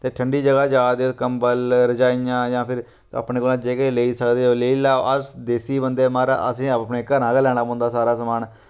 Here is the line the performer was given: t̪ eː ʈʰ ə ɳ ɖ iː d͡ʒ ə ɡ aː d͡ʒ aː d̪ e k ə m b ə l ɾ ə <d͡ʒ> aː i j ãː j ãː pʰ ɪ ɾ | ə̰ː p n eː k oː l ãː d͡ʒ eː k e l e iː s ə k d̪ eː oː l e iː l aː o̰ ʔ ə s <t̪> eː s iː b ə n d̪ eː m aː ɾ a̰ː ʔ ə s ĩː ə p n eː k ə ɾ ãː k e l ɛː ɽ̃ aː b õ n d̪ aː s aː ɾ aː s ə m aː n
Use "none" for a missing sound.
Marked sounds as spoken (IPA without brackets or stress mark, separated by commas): d͡ʒ, d̪